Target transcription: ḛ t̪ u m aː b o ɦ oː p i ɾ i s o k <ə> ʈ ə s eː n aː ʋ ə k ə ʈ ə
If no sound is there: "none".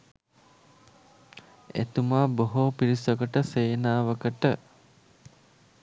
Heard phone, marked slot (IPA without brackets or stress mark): ə